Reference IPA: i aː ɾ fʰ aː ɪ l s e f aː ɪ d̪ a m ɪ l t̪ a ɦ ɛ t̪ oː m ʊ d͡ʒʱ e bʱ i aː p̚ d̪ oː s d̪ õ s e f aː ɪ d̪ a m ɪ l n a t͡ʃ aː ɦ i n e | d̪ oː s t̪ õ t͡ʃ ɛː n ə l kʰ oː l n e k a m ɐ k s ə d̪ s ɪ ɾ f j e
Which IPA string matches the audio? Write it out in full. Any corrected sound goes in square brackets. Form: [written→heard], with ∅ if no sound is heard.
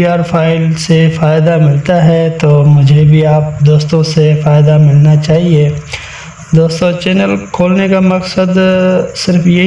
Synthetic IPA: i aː ɾ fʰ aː ɪ l s e f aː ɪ d̪ a m ɪ l t̪ a ɦ ɛ t̪ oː m ʊ d͡ʒʱ e bʱ i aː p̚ d̪ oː s [d̪→t̪] õ s e f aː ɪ d̪ a m ɪ l n a t͡ʃ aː ɦ i [n→∅] e | d̪ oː s t̪ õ t͡ʃ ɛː n ə l kʰ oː l n e k a m ɐ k s ə d̪ s ɪ ɾ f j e

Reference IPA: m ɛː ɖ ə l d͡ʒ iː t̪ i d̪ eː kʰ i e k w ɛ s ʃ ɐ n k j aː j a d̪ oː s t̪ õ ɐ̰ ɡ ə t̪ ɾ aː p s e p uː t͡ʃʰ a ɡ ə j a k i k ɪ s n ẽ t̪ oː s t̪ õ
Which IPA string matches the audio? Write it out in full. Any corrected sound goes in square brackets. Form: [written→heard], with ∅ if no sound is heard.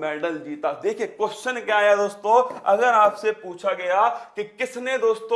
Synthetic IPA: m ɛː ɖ ə l d͡ʒ iː t̪ [i→a] d̪ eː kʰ i e k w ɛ s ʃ [ɐ→ə] n k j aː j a d̪ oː s t̪ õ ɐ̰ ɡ ə [t̪→∅] ɾ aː p s e p uː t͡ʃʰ a ɡ [ə→ɐ] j a k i k ɪ s n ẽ [t̪→d̪] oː s t̪ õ

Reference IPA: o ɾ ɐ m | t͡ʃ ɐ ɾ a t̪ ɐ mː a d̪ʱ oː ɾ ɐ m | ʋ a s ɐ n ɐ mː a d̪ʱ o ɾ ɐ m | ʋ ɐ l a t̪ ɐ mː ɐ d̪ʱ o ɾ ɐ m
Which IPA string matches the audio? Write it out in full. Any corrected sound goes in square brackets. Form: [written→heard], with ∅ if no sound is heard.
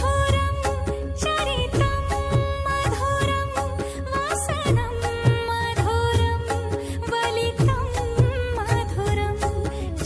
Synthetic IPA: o ɾ ɐ m | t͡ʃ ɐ ɾ [a→i] t̪ ɐ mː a d̪ʱ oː ɾ ɐ m | ʋ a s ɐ n ɐ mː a d̪ʱ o ɾ ɐ m | ʋ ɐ l [a→i] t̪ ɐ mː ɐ d̪ʱ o ɾ ɐ m

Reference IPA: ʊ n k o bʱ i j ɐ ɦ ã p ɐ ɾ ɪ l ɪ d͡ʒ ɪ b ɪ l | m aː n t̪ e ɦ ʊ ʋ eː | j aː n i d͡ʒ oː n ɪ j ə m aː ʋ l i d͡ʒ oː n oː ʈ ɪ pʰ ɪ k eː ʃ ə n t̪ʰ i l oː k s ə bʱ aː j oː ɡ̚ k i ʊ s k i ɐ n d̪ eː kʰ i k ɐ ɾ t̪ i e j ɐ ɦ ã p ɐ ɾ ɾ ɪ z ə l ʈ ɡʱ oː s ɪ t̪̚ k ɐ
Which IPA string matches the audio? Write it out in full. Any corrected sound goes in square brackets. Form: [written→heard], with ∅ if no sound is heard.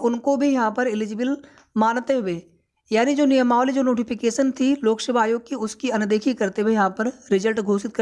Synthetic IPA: ʊ n k o bʱ i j ɐ ɦ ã p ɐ ɾ ɪ l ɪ d͡ʒ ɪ b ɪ l | m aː n t̪ e ɦ ʊ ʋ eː | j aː n i d͡ʒ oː n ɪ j ə m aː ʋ l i d͡ʒ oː n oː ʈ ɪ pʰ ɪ k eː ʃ ə n t̪ʰ i l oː k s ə bʱ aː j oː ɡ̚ k i ʊ s k i ɐ n d̪ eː kʰ i k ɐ ɾ t̪ [i→e] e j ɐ ɦ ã p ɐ ɾ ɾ ɪ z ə l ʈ ɡʱ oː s ɪ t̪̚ k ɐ

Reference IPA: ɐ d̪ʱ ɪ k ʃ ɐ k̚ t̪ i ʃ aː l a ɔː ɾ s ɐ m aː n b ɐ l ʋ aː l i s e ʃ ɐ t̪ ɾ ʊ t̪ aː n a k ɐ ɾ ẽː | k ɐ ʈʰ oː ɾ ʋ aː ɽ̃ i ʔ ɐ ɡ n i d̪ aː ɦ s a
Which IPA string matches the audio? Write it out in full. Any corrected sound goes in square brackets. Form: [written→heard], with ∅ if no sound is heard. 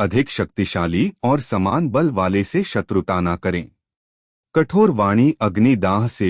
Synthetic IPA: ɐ d̪ʱ ɪ k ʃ ɐ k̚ t̪ i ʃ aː l [a→i] ɔː ɾ s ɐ m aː n b ɐ l ʋ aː l [i→e] s e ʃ ɐ t̪ ɾ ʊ t̪ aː n a k ɐ ɾ ẽː | k ɐ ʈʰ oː ɾ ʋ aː ɽ̃ i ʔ ɐ ɡ n i d̪ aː ɦ s [a→e]

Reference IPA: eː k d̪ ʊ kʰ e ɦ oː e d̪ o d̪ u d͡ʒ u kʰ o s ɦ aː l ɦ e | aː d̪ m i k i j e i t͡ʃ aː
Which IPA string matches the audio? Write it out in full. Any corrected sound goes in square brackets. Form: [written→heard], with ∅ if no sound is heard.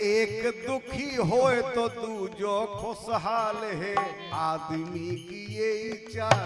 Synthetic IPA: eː k d̪ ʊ kʰ [e→i] ɦ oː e [d̪→t̪] o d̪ u d͡ʒ [u→o] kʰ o s ɦ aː l ɦ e | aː d̪ m i k i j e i t͡ʃ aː

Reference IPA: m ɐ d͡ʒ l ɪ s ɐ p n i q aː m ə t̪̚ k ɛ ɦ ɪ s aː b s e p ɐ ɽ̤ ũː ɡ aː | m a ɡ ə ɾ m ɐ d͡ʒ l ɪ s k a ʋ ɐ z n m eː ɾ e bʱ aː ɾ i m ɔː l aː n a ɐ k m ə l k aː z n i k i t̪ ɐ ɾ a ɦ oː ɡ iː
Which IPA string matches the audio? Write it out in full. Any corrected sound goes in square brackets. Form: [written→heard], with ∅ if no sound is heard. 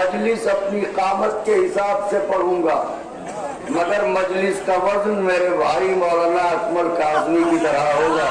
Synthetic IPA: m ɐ d͡ʒ l ɪ s ɐ p n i q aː m ə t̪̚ k [ɛ→e] ɦ ɪ s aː b s e p ɐ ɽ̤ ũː ɡ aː | m [a→ɐ] ɡ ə ɾ m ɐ d͡ʒ l ɪ s k a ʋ ɐ z n m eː ɾ e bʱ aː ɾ i m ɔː l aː n a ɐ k m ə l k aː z n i k i t̪ ɐ ɾ a ɦ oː ɡ [iː→aː]

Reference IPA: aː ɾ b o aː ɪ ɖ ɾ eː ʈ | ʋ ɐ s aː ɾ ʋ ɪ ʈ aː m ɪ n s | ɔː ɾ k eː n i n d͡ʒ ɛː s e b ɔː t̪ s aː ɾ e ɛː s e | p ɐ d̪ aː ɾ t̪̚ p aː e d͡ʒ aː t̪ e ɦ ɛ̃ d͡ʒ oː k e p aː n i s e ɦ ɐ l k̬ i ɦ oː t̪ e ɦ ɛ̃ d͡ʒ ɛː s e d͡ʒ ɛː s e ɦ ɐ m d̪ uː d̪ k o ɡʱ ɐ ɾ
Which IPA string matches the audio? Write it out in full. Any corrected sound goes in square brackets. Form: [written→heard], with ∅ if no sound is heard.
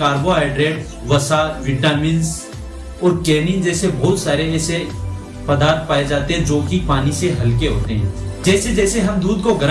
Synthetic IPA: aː ɾ b o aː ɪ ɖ ɾ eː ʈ | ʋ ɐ s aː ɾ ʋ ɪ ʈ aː m ɪ n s | ɔː ɾ k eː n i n d͡ʒ ɛː s e b ɔː t̪ s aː ɾ e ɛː s e | p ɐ d̪ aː ɾ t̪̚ p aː e d͡ʒ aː t̪ e ɦ ɛ̃ d͡ʒ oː k [e→i] p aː n i s e ɦ ɐ l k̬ [i→e] ɦ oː t̪ e ɦ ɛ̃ d͡ʒ ɛː s e d͡ʒ ɛː s e ɦ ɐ m d̪ uː d̪ k o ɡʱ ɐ ɾ

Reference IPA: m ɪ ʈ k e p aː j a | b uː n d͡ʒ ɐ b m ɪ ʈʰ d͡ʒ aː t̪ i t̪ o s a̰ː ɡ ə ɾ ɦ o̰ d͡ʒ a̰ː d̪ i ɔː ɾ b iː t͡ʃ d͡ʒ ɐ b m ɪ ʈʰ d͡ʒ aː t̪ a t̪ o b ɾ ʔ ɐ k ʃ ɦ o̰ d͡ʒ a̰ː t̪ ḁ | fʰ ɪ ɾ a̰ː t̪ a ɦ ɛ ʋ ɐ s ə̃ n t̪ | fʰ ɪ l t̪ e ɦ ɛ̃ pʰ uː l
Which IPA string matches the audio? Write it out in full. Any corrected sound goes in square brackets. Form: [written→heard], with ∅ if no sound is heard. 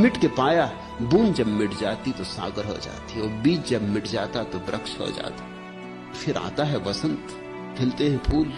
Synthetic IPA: m ɪ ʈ k e p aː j a | b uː n d͡ʒ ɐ b m ɪ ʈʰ d͡ʒ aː t̪ i t̪ o s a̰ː ɡ ə ɾ ɦ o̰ d͡ʒ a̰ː [d̪→t̪] i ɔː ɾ b iː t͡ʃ d͡ʒ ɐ b m ɪ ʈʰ d͡ʒ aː t̪ a t̪ o b ɾ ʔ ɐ k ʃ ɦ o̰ d͡ʒ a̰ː t̪ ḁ | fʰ ɪ ɾ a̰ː t̪ a ɦ ɛ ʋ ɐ s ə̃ n t̪ | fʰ ɪ l t̪ e ɦ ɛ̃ pʰ uː l

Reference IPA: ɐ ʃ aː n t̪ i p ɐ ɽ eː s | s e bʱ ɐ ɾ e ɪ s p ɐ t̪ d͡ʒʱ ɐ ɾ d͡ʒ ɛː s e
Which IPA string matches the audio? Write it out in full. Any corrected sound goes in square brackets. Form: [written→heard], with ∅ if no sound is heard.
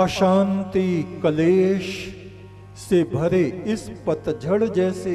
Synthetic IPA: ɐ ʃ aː n t̪ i [p→k] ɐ [ɽ→l] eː [s→ʃ] | s e bʱ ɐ ɾ e ɪ s p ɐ t̪ d͡ʒʱ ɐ [ɾ→ɽ] d͡ʒ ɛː s e

